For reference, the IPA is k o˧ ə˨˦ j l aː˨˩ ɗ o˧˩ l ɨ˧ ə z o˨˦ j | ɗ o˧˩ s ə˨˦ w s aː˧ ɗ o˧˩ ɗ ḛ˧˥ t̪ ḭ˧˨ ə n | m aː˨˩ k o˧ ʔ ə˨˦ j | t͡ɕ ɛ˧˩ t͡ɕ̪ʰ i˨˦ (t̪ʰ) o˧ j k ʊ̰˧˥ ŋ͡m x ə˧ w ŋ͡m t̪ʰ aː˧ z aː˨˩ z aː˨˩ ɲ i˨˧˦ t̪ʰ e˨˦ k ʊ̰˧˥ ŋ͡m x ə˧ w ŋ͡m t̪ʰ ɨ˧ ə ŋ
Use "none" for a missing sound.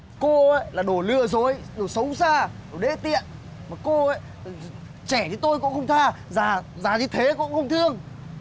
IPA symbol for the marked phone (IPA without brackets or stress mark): t̪